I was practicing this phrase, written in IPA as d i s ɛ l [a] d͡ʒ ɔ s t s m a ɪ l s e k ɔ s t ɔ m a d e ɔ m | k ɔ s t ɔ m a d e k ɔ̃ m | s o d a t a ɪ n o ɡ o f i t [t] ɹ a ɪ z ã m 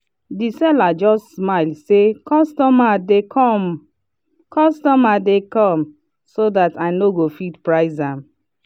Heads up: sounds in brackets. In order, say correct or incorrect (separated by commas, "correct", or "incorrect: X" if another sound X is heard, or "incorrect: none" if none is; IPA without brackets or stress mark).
correct, incorrect: p